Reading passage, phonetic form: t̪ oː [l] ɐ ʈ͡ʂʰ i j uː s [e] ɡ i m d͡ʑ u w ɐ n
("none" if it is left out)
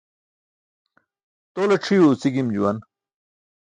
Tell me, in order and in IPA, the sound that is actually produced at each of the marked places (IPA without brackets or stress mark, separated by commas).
l, i